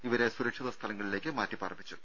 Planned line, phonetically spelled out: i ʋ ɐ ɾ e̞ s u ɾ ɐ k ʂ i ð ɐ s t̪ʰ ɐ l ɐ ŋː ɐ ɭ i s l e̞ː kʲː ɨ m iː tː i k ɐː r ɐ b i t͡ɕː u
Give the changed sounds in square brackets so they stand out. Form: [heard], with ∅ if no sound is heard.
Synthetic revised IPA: i ʋ ɐ ɾ e̞ s u ɾ ɐ k ʂ i ð ɐ s t̪ʰ ɐ l ɐ ŋː ɐ ɭ i [∅] l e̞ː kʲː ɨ m [aː] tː i [p] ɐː r ɐ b i t͡ɕː u